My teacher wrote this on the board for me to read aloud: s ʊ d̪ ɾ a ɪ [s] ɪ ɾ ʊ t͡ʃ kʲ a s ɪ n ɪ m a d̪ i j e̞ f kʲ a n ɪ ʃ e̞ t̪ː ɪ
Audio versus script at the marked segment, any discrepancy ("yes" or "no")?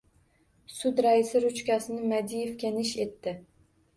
no